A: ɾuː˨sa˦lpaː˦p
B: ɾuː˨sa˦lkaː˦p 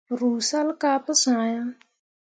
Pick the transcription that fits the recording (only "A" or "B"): B